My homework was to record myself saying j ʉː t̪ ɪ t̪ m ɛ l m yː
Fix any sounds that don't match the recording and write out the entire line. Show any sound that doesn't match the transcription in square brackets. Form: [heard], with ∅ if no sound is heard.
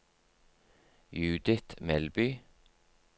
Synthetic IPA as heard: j ʉː [d̪] ɪ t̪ m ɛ l [b] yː